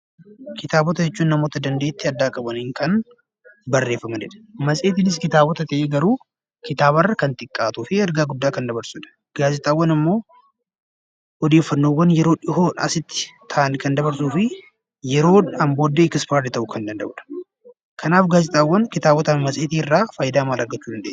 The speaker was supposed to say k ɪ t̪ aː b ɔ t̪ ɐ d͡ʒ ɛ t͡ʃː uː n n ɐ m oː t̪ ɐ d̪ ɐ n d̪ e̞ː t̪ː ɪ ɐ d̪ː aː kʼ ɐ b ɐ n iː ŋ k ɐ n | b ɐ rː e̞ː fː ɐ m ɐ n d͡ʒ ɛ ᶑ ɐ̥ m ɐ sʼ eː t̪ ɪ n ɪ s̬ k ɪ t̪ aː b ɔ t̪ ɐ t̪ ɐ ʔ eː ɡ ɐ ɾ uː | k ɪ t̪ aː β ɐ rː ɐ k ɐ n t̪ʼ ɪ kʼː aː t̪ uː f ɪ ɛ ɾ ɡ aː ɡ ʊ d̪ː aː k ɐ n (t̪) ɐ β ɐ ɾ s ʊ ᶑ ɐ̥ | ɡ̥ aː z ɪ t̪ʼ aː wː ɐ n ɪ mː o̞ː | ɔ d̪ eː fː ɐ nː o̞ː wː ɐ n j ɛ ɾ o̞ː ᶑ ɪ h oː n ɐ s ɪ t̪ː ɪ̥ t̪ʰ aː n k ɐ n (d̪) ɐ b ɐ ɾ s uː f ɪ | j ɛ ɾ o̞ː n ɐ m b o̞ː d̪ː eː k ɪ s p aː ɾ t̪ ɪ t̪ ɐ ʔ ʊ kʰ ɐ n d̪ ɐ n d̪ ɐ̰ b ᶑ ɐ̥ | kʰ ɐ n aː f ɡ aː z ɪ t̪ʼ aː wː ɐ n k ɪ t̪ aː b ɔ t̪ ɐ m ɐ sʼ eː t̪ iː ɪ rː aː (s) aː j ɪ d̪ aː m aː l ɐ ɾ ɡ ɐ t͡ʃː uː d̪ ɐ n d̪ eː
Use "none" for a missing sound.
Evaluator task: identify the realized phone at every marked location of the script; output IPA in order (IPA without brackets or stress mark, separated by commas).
d̪, d̪, f